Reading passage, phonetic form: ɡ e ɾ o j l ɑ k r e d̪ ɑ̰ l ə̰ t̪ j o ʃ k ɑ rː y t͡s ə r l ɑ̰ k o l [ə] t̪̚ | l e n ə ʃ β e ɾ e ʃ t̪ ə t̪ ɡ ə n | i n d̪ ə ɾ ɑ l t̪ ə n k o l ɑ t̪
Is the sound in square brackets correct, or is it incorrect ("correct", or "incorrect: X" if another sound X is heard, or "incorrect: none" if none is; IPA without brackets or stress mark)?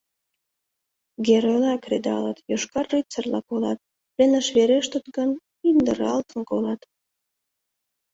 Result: incorrect: ɑ